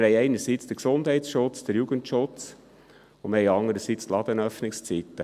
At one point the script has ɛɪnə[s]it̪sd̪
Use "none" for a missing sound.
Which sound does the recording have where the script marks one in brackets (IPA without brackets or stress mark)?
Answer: s